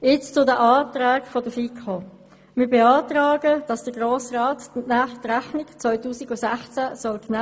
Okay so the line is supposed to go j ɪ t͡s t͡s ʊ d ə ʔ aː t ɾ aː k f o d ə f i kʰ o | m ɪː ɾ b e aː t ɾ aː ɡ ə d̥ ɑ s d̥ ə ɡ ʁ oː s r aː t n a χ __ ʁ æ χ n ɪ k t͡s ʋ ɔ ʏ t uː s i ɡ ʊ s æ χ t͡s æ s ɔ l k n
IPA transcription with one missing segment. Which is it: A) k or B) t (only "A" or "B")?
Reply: B